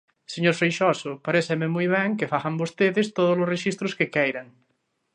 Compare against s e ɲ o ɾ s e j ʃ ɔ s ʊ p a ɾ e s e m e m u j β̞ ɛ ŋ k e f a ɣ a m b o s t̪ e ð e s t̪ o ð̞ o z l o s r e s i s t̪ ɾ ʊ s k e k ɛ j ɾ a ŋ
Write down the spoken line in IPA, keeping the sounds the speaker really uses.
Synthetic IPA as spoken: s e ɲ o ɾ f e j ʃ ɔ s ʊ p a ɾ e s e m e m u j β̞ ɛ ŋ k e f a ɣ a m b o s t̪ e ð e s t̪ o ð̞ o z l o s r e ʃ i s t̪ ɾ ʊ s k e k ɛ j ɾ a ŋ